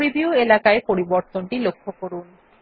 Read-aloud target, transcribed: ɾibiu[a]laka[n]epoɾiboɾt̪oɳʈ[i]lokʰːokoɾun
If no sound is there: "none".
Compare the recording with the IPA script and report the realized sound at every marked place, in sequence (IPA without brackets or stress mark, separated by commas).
e, none, i